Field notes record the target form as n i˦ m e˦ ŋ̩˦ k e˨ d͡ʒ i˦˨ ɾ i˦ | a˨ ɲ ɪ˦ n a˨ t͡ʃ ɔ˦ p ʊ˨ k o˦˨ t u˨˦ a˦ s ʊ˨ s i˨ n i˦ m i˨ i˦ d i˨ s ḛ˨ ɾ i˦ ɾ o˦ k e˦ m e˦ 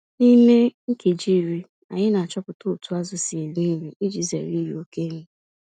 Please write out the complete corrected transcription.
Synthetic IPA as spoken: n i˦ m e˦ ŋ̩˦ k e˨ d͡ʒ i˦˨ ɾ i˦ | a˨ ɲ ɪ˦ n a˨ t͡ʃ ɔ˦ p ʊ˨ t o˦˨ t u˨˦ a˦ z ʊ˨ s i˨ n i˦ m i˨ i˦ d͡ʒ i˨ z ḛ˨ ɾ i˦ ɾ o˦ k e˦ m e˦